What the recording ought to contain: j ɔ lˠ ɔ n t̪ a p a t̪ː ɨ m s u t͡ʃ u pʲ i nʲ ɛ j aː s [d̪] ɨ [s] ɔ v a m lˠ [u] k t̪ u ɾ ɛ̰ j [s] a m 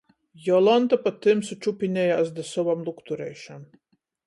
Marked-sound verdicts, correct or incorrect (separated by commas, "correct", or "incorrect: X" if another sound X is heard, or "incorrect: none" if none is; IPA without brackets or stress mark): correct, correct, correct, incorrect: ʃ